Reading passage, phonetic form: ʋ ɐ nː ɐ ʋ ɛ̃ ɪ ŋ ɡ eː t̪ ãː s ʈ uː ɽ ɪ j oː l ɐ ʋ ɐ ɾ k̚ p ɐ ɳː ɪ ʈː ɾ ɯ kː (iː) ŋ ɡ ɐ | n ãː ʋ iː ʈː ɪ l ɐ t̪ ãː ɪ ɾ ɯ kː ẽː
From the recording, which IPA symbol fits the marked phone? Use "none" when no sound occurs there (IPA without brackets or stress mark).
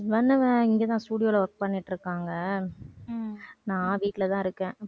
aː